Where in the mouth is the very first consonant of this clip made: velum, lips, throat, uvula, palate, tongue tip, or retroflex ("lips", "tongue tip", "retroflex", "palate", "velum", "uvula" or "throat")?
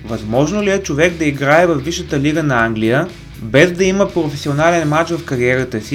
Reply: lips